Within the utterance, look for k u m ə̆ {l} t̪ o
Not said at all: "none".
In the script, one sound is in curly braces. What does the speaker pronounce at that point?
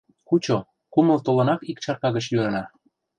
l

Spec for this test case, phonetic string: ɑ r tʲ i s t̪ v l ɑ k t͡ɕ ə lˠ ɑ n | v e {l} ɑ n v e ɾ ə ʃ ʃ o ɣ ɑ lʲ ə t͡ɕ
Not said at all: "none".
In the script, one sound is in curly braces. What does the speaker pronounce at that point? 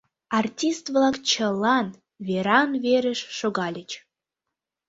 ɾ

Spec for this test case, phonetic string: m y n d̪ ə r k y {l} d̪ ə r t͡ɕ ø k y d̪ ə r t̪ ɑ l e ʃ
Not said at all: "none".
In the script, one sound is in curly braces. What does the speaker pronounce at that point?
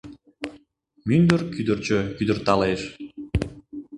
none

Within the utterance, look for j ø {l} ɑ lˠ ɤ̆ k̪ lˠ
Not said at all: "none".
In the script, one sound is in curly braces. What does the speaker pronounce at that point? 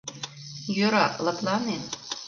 ɾ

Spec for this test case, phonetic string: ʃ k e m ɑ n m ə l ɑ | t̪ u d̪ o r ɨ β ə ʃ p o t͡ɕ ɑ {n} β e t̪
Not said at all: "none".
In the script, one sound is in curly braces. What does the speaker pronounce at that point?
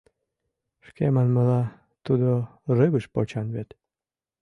n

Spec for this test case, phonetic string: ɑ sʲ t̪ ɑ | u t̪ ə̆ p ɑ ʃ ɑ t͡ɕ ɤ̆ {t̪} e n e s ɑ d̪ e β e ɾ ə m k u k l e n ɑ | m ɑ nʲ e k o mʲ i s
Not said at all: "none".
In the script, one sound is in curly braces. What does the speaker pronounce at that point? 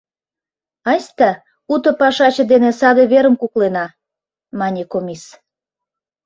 d̪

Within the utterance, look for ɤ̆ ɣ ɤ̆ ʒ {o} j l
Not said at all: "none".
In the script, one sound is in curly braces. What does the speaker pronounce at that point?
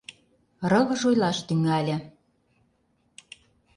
o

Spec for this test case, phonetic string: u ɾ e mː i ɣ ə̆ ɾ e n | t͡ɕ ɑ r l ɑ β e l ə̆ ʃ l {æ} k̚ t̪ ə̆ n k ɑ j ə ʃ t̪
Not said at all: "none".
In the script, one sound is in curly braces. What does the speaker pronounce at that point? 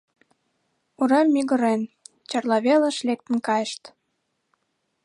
e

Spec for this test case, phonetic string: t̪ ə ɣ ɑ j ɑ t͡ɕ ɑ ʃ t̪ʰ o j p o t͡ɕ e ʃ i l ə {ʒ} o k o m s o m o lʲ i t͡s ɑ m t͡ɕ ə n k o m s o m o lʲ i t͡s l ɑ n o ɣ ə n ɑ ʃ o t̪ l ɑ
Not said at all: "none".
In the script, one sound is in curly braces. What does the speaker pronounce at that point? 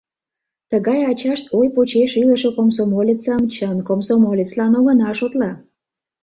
ʃ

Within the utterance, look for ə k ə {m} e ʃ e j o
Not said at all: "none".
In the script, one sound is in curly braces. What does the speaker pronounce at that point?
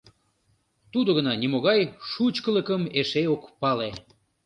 m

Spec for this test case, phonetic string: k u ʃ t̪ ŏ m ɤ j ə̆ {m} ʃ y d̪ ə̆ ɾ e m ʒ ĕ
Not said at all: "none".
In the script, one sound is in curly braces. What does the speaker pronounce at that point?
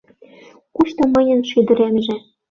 n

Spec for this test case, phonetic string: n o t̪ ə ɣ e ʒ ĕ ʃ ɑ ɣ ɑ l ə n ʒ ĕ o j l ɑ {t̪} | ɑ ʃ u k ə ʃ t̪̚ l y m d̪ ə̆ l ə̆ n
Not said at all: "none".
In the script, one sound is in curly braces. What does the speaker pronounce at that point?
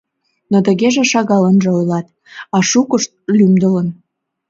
t̪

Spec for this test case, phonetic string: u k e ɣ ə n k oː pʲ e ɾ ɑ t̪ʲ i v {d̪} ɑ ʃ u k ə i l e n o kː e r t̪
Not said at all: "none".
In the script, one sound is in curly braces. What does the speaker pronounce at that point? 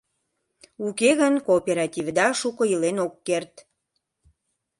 d̪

